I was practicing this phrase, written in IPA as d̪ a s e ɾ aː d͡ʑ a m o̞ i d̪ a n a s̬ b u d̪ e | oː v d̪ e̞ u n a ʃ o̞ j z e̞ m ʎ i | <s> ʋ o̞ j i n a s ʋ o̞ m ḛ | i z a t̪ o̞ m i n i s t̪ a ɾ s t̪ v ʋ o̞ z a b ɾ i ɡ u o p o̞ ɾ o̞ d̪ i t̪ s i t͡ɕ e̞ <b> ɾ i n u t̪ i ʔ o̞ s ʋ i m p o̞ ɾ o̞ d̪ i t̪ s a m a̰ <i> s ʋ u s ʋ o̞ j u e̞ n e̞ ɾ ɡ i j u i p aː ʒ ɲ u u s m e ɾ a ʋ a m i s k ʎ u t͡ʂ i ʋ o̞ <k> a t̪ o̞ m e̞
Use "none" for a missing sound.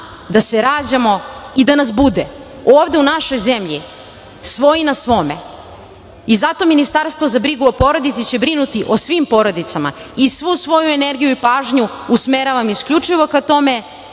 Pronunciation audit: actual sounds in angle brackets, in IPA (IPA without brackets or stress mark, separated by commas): s, b, i, k